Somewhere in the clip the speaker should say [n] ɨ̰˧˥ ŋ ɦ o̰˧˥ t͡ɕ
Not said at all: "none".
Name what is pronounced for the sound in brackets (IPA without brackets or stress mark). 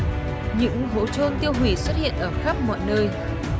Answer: ɲ